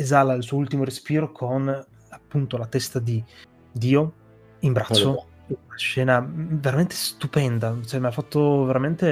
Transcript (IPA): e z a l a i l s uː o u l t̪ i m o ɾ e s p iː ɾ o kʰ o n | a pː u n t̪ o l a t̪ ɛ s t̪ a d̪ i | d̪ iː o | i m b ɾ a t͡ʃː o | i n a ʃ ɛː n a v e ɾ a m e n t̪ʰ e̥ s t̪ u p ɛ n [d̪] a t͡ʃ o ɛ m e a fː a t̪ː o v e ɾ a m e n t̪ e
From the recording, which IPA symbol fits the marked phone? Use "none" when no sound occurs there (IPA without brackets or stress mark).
d̪